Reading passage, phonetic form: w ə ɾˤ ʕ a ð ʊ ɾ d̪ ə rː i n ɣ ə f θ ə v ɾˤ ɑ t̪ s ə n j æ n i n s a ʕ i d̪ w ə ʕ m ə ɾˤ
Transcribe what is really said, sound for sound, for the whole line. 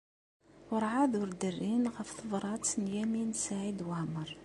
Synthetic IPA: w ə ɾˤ ʕ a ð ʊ ɾ d̪ ə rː i n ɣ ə f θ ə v ɾˤ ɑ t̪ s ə n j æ m i n s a ʕ i d̪ w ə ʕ m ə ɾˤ